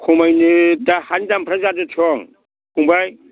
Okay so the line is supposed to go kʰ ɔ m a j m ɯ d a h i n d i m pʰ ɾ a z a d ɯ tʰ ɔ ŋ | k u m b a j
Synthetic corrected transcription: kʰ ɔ m a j n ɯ d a h a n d a m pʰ ɾ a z a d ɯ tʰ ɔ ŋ | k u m b a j